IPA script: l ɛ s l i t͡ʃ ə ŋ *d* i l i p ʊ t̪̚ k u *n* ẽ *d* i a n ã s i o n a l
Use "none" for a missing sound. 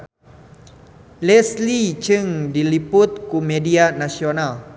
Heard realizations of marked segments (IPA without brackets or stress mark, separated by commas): d, m, d